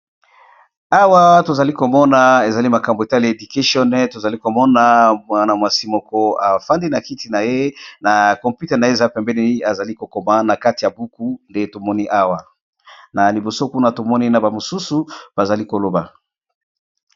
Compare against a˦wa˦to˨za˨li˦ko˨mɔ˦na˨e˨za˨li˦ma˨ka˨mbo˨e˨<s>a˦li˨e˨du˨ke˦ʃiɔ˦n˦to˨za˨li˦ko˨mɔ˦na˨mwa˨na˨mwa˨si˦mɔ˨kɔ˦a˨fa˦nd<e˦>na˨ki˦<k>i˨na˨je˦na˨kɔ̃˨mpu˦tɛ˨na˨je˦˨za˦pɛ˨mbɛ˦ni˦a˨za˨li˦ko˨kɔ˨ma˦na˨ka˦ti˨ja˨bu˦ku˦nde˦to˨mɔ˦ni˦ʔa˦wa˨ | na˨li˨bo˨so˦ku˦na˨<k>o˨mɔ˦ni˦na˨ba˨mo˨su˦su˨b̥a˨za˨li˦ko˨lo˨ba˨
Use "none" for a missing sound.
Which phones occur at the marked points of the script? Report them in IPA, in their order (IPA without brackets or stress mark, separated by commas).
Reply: t, i˦, t, t